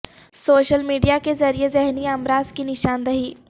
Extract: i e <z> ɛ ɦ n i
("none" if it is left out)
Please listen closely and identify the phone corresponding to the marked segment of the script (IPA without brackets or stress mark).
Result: z